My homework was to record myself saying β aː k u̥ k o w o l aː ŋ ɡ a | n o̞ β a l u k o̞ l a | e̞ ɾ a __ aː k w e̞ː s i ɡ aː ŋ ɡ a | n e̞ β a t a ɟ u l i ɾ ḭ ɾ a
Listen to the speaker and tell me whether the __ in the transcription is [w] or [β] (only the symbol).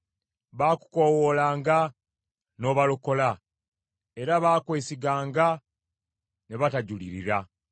β